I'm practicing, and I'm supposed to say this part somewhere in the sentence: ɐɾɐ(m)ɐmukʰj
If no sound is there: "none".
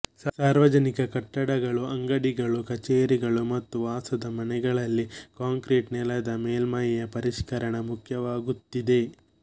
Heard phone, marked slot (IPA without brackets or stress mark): ɳ